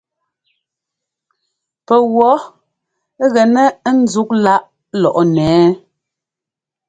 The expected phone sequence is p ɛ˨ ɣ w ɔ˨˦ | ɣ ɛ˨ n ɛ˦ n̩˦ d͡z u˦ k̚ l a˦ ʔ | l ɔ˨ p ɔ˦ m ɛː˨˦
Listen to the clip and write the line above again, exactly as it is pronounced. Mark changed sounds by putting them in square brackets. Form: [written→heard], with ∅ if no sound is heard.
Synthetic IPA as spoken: p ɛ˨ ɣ w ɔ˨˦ | ɣ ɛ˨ n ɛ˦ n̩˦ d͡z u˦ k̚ l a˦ ʔ | l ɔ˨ [p→ʔ] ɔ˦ [m→n] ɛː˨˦